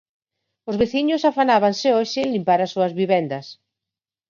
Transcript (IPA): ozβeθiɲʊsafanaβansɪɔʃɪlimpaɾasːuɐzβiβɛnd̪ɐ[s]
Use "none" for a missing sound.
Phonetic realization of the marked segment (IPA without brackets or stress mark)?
s